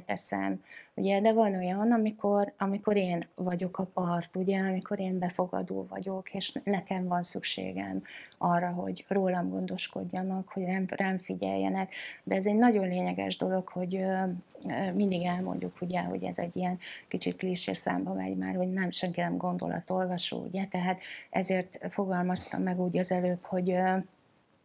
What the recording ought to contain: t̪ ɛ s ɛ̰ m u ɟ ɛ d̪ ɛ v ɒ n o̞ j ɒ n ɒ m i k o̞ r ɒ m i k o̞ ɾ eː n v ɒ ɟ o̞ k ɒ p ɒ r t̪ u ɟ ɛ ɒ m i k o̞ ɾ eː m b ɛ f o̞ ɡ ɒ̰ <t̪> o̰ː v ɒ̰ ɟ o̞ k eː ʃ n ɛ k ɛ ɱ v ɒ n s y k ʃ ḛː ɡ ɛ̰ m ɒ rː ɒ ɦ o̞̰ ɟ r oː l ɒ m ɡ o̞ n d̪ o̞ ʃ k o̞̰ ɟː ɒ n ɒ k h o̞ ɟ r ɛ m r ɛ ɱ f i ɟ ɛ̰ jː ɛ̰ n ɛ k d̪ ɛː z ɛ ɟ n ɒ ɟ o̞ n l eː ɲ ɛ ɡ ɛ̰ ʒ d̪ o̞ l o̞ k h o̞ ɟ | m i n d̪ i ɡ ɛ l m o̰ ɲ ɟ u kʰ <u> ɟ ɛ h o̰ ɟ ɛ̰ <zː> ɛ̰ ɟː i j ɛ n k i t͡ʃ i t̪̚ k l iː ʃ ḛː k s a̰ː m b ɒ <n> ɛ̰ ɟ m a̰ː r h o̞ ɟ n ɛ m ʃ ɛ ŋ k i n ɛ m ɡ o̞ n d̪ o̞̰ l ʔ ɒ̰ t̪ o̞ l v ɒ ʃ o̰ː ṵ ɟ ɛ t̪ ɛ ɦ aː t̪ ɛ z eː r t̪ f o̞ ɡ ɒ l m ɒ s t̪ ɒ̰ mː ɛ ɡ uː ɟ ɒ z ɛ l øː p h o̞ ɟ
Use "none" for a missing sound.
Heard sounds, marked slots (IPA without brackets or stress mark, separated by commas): d̪, u, z, m